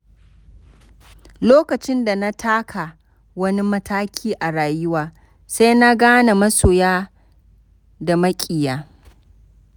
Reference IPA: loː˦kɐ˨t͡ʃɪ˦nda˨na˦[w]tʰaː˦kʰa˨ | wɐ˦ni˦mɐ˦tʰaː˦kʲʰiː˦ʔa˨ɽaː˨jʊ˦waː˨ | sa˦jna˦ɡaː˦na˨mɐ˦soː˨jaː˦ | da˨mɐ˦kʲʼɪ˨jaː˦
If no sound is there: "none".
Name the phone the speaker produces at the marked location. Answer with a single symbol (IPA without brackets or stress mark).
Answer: none